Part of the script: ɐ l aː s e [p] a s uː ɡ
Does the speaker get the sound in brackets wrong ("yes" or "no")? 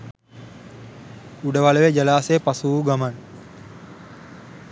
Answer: no